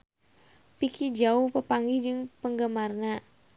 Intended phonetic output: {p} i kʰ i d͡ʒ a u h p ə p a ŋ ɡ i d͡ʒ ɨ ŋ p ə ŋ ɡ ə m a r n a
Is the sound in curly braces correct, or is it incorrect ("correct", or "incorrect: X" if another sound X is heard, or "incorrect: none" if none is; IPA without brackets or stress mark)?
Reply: correct